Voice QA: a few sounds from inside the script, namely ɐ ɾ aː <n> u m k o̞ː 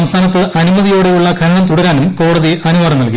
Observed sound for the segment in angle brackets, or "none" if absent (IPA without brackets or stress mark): n